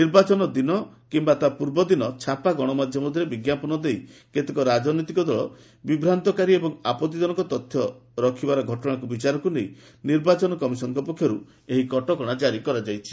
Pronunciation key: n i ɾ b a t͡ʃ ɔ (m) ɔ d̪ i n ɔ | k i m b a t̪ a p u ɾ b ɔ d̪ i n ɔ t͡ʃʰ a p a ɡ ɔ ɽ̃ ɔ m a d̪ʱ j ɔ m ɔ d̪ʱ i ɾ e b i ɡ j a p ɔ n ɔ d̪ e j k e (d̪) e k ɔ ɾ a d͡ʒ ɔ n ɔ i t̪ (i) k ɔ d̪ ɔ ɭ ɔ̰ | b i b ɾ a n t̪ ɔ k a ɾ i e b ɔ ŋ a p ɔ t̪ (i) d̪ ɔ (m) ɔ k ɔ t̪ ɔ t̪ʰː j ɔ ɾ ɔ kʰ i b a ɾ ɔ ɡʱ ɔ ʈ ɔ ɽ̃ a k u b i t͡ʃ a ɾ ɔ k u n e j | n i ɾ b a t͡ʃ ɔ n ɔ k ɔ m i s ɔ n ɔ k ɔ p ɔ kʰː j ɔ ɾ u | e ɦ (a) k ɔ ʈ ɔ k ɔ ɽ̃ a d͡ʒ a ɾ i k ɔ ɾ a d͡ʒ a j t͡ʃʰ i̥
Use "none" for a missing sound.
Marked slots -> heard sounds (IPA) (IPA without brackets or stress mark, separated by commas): n, t̪, i, i, n, i